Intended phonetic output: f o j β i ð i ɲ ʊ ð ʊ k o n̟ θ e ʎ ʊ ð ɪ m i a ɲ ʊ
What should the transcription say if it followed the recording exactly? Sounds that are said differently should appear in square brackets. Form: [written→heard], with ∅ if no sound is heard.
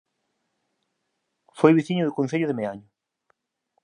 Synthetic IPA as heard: f o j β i [ð→θ] i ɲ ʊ ð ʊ k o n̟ θ e ʎ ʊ ð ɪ m [i→e] a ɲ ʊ